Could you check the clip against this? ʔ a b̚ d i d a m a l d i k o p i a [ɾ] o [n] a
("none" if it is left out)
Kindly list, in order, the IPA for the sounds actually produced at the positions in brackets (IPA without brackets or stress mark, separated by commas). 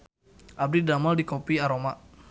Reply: ɾ, m